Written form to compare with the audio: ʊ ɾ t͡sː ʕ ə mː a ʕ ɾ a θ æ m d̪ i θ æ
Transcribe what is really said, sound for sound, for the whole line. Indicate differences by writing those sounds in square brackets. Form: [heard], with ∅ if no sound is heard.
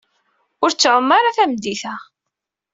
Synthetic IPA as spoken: ʊ ɾ t͡sː ʕ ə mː a [∅] ɾ a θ æ m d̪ i θ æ